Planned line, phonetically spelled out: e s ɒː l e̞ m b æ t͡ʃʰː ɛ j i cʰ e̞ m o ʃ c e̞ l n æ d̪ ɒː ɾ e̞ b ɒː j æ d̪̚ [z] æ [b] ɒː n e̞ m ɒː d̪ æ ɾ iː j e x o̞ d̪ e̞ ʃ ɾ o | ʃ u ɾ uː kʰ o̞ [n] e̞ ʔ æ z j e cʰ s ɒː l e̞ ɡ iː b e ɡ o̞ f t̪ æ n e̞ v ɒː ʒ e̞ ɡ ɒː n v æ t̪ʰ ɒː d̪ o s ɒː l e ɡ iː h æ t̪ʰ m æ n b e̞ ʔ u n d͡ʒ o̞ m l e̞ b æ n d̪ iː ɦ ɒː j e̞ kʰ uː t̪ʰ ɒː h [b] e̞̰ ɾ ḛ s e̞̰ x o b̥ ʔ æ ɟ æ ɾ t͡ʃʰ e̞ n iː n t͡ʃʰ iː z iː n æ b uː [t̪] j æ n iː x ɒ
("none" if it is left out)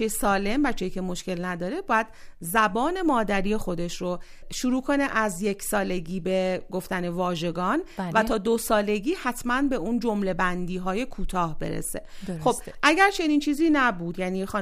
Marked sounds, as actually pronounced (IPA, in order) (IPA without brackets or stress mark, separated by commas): z, b, n, b, d̪